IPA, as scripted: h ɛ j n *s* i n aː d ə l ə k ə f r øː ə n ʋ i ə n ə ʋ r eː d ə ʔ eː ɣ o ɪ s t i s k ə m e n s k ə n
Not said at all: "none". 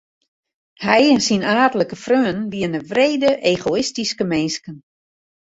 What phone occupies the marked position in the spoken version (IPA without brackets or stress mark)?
s